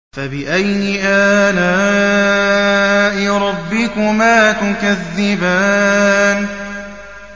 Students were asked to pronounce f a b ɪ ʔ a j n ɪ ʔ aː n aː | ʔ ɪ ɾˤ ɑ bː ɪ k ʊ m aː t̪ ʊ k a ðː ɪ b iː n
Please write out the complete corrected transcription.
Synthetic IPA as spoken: f a b ɪ ʔ a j n ɪ ʔ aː n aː | ʔ ɪ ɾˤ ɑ bː ɪ k ʊ m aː t̪ ʊ k a ðː ɪ b aː n